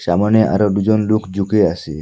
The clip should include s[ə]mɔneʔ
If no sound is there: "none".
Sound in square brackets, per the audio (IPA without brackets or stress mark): a